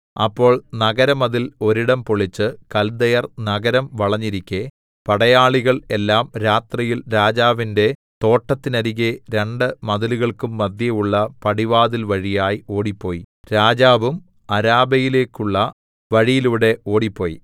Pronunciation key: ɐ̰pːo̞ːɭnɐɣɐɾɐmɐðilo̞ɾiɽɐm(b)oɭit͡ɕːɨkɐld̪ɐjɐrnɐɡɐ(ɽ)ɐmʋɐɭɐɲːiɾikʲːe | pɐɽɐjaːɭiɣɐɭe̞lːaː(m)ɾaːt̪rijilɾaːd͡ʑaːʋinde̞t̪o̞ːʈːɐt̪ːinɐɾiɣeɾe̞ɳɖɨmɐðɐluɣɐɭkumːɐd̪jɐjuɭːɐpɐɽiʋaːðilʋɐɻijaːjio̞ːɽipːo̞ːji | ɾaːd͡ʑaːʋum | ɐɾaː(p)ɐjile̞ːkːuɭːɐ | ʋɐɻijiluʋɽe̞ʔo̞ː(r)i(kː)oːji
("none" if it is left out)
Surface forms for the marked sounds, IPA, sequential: p, ɾ, m, b, ɽ, pː

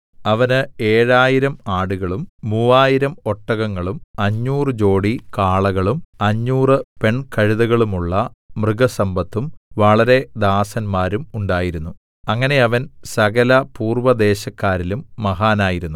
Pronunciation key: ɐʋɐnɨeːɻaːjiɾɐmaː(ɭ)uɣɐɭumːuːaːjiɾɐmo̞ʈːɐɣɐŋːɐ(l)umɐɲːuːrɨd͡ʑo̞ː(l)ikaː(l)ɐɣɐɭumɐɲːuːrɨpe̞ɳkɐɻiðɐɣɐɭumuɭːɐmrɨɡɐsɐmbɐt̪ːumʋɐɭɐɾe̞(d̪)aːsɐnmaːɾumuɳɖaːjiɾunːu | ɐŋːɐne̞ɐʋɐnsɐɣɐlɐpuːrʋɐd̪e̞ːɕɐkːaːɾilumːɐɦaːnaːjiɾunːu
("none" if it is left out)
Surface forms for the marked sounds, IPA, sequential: ɽ, ɭ, ɽ, ɭ, d̪

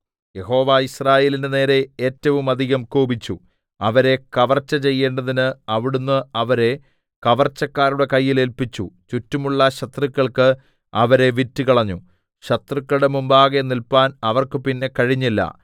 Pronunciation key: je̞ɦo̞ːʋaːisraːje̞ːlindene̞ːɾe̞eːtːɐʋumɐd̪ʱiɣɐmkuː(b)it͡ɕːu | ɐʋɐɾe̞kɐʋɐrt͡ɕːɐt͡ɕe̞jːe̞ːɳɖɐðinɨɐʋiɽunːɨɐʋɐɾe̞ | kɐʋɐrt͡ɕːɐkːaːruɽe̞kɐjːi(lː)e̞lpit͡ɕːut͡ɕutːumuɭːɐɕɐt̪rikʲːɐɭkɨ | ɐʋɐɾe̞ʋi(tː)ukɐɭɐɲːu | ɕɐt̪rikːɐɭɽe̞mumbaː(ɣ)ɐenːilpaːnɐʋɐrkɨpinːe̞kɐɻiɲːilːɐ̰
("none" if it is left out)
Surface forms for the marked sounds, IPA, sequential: b, l, tː, ɣ

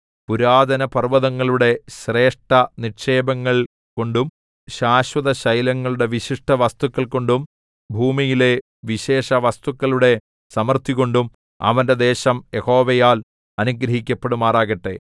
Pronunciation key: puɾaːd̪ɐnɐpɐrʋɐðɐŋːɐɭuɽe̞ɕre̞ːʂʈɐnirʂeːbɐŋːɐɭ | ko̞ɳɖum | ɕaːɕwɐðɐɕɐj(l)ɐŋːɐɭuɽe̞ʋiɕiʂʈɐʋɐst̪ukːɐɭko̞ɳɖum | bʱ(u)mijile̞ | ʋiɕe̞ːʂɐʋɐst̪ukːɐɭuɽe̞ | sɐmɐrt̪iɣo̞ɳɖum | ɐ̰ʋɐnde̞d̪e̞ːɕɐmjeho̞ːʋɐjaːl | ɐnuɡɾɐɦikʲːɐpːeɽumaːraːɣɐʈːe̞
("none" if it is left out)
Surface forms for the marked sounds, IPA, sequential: l, uː

